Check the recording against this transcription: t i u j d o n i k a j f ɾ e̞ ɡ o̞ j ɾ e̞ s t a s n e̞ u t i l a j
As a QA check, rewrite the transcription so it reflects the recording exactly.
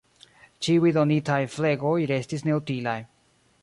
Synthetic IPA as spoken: t͡ʃ i u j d o n i t a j f l e̞ ɡ o̞ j ɾ e̞ s t i s n e̞ u t i l a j